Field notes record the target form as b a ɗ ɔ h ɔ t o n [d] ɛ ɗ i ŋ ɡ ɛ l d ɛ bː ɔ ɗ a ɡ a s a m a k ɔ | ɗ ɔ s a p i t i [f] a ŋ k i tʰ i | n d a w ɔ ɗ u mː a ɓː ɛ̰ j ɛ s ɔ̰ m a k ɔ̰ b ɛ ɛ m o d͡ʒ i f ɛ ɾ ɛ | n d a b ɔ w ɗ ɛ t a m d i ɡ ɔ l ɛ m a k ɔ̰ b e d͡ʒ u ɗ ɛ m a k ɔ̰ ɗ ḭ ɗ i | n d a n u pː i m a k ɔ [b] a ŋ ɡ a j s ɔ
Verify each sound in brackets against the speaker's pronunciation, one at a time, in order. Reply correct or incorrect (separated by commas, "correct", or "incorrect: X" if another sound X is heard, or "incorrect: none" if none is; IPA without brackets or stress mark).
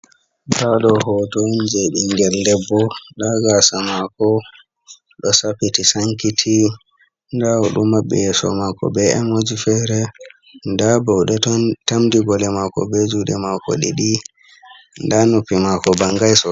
incorrect: d͡ʒ, incorrect: s, correct